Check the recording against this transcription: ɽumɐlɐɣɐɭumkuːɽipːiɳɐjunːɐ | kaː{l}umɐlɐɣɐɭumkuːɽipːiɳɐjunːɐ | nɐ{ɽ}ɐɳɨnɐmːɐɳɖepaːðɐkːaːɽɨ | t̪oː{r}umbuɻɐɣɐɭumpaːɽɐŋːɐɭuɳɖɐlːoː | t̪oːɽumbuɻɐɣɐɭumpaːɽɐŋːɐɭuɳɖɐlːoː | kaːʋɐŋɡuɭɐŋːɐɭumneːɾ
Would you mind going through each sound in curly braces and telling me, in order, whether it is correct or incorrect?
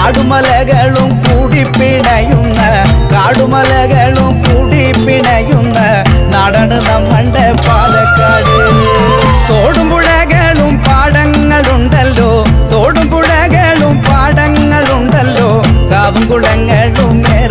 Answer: incorrect, correct, incorrect

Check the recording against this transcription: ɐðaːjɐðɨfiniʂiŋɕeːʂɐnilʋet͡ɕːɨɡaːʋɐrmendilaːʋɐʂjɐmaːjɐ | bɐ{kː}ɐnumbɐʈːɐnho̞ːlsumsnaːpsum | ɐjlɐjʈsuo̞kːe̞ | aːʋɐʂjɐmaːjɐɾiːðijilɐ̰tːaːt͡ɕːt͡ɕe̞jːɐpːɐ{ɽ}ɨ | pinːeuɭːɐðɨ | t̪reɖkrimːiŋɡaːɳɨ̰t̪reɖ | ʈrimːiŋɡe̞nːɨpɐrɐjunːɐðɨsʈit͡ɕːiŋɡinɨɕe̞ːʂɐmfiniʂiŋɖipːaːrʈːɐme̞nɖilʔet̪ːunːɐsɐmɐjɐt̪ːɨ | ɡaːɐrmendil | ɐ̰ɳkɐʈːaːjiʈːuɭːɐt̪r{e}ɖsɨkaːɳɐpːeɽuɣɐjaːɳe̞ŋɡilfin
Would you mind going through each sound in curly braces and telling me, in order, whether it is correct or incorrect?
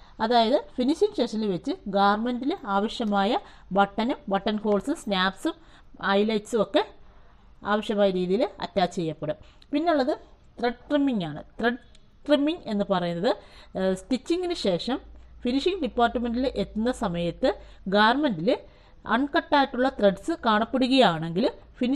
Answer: incorrect, correct, correct

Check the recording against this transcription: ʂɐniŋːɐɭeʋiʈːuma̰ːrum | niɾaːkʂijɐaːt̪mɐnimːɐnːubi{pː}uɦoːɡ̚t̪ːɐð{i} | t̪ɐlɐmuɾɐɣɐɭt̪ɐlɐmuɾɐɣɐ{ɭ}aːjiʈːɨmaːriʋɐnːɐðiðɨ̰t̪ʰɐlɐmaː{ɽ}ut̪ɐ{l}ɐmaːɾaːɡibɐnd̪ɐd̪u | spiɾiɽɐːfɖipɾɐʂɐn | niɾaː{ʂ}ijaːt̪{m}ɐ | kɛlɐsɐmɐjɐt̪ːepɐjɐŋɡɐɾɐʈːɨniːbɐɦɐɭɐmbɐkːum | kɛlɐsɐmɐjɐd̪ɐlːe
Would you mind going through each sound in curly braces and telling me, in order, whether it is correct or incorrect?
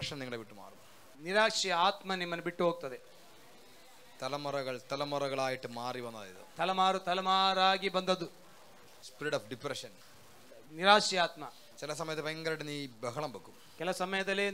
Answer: incorrect, incorrect, correct, incorrect, correct, correct, correct

